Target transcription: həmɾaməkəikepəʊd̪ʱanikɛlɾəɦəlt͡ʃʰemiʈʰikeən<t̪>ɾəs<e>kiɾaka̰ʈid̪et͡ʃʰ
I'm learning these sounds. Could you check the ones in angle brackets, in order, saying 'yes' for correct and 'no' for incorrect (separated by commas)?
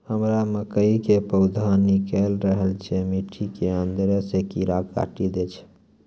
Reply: no, yes